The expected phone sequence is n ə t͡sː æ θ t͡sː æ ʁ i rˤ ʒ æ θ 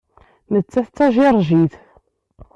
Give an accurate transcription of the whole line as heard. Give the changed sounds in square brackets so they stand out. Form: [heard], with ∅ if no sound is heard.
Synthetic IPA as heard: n ə t͡sː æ θ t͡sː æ [ʒ] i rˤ ʒ [i] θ